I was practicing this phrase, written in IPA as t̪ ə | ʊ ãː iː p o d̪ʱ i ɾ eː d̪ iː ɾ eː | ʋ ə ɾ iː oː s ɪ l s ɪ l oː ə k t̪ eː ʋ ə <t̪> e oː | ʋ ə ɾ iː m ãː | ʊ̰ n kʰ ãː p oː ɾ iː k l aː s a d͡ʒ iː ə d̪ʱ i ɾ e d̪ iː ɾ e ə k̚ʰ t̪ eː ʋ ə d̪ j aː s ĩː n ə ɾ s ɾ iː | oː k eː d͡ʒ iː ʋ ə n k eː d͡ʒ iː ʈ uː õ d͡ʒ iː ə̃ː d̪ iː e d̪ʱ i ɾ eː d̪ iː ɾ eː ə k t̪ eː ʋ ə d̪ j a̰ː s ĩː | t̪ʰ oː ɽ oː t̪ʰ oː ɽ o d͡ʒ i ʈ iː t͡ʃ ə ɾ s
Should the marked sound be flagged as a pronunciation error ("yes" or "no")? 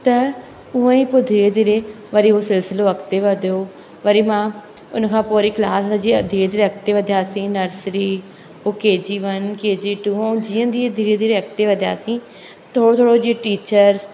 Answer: yes